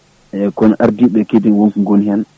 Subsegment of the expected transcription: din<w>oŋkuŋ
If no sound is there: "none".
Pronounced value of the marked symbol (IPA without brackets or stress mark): w